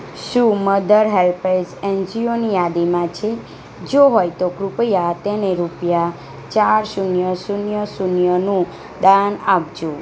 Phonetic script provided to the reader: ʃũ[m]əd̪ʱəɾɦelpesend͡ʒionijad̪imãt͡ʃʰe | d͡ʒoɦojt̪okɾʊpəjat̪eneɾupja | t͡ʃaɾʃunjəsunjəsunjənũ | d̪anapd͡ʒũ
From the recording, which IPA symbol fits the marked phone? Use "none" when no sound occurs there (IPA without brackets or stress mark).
m